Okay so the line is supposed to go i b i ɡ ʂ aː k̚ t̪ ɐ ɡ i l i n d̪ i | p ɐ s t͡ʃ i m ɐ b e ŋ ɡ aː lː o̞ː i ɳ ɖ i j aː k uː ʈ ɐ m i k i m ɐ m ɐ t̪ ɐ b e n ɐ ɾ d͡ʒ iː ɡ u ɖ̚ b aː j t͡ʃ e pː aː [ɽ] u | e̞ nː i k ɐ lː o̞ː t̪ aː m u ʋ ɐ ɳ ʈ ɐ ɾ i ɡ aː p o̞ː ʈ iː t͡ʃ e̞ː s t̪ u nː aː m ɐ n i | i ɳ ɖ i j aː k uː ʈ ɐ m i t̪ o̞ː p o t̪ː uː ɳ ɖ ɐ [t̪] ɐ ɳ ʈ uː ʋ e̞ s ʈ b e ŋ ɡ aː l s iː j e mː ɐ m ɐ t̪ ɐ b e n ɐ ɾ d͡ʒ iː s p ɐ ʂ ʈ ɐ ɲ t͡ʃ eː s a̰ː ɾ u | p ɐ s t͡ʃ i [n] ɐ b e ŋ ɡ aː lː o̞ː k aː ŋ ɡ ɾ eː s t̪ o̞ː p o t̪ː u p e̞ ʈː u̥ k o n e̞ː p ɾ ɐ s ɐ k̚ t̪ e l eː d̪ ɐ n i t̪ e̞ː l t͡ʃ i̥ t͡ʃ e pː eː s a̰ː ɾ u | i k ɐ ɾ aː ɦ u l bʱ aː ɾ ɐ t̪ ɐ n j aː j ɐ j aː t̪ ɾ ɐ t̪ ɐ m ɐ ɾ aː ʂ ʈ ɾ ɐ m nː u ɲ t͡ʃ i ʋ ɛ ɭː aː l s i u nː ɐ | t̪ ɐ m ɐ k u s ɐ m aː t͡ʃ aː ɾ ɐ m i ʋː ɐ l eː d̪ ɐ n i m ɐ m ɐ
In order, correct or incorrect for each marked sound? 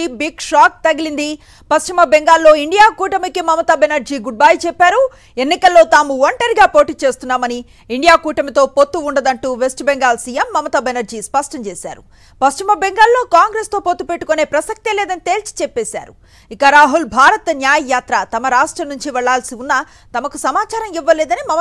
incorrect: ɾ, incorrect: d̪, incorrect: m

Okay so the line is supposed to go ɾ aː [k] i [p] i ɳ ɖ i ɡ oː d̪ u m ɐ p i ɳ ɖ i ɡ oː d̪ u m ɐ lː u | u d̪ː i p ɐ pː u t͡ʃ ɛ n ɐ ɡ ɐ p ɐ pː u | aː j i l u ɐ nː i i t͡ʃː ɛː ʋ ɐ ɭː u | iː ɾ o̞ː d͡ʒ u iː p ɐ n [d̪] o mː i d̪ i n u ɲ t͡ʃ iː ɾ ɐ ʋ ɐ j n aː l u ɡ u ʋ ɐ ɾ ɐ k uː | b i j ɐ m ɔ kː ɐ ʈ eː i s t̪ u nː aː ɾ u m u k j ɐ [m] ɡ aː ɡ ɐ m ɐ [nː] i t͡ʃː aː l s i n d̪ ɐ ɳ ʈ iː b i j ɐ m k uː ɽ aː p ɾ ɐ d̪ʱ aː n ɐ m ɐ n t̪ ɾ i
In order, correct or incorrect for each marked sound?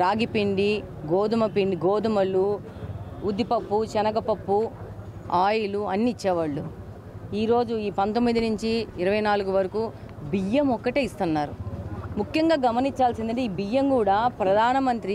incorrect: ɡ, correct, incorrect: t̪, incorrect: ŋ, incorrect: n

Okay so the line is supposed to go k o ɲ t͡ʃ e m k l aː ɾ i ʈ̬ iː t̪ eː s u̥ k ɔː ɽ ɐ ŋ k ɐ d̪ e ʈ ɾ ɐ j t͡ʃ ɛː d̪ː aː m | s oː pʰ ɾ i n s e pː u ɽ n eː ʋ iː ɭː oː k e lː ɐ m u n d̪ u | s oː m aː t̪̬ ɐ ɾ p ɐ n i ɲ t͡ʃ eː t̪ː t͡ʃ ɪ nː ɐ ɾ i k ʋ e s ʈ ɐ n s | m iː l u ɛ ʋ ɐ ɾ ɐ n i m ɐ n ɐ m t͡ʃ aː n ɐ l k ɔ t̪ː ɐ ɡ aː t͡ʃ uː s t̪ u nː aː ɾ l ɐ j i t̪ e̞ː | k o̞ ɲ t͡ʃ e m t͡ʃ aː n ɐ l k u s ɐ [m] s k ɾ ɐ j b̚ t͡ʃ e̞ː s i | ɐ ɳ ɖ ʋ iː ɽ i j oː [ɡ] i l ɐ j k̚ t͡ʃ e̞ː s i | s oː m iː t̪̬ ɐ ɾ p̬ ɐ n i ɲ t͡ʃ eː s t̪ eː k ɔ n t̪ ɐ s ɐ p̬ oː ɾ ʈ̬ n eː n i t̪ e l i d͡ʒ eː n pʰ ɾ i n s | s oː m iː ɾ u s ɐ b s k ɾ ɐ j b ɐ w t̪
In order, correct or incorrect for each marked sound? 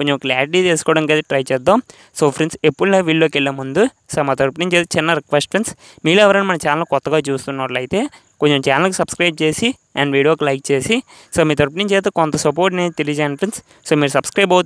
incorrect: b, incorrect: k

